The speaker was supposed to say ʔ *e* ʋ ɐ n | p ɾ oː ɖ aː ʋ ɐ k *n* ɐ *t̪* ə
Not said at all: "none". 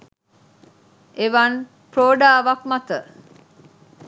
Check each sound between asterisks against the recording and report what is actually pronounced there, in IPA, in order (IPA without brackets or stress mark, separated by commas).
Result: e, m, t̪